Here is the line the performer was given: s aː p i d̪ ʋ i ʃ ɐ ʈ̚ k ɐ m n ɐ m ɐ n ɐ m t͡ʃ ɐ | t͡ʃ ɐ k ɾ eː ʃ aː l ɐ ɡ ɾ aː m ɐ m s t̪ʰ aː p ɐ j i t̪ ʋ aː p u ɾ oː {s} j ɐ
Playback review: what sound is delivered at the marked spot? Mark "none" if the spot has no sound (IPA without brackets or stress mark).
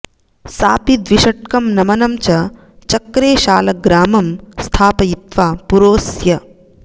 s